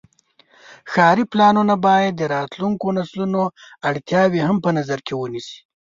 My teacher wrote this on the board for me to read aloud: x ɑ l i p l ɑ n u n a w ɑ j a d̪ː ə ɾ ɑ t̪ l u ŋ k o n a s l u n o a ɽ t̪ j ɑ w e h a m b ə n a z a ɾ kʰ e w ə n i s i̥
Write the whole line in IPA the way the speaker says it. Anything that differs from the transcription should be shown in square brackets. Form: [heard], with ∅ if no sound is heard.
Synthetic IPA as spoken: x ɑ [ɾ] i p l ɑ n u n a [b] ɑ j a d̪ː ə ɾ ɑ t̪ l u ŋ k o n a s l u n o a ɽ t̪ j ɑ w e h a m [p] ə n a z a ɾ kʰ e w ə n i s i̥